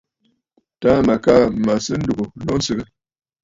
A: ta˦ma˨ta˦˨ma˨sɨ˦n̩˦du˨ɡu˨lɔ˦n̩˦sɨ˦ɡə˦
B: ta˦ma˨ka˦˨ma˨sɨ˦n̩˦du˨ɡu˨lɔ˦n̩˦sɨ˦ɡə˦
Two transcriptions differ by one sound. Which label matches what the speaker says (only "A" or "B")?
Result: B